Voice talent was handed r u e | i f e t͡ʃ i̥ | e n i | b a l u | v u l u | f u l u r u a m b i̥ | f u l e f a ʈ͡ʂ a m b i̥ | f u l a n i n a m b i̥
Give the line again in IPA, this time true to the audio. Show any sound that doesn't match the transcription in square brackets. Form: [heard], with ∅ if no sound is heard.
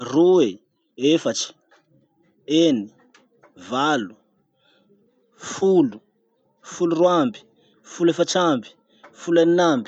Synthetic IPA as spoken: r u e | [e] f [a] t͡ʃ i̥ | e n i | [v] a l u | [f] u l u | f u l u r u a m b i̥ | f u l e f a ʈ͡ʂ a m b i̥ | f u l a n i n a m b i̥